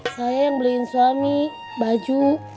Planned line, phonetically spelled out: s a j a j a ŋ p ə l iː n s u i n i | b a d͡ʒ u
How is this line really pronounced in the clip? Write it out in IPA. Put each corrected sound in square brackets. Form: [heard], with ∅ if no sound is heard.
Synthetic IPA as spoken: s a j a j a ŋ [b] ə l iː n s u [a] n i | b a d͡ʒ u